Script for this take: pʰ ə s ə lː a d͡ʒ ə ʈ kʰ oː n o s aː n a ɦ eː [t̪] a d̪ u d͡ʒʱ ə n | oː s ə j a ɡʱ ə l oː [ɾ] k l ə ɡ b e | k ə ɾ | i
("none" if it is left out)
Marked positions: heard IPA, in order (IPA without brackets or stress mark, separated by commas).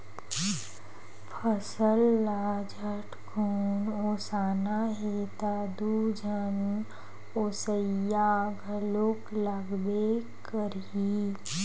t̪, none